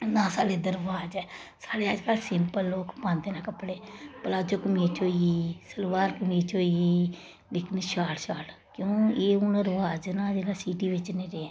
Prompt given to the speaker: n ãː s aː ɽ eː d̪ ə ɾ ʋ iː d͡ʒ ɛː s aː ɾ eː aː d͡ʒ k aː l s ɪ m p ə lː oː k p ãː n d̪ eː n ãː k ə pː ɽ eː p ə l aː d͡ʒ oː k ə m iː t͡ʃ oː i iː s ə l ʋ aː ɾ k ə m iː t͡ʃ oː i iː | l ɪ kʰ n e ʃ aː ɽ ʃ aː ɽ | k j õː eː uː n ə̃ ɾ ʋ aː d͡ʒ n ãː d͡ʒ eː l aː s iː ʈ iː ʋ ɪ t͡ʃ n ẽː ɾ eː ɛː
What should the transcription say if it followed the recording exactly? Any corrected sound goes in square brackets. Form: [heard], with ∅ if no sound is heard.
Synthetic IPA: n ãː s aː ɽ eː d̪ ə ɾ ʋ [aː] d͡ʒ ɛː s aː [ɽ] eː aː d͡ʒ k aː l s ɪ m p ə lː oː k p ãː n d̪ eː n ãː k ə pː ɽ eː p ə l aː d͡ʒ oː k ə m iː t͡ʃ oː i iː s ə l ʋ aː ɾ k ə m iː t͡ʃ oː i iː | l ɪ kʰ n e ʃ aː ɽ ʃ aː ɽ | k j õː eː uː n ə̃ ɾ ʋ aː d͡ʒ n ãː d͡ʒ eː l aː s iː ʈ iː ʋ ɪ t͡ʃ n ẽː ɾ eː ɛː